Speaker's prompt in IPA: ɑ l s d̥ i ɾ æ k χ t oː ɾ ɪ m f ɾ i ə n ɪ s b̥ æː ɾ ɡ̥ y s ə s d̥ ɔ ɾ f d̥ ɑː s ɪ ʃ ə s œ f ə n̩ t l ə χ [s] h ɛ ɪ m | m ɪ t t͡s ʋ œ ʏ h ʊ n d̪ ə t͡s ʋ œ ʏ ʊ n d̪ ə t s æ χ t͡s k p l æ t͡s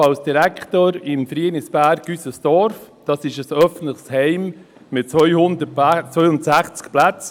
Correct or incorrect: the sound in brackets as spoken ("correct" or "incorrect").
correct